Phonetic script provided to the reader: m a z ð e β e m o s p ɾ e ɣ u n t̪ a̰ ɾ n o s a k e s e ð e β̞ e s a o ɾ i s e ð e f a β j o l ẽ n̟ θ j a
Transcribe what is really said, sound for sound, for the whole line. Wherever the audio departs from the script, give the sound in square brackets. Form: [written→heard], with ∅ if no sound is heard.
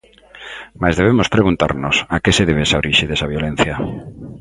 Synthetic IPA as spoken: m a z ð e β e m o s p ɾ e ɣ u n t̪ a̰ ɾ n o s a k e s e ð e β̞ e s a o ɾ i [s→ʃ] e ð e [f→s] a β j o l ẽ n̟ θ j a